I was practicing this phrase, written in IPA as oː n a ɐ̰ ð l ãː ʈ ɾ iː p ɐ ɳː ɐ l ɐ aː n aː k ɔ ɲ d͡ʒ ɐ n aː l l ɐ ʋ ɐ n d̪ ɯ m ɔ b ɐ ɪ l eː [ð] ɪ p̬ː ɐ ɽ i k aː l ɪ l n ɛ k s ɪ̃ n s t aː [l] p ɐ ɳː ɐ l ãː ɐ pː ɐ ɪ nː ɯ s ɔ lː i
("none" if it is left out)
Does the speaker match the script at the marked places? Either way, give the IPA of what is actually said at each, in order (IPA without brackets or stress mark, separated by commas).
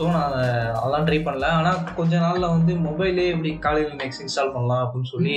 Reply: none, l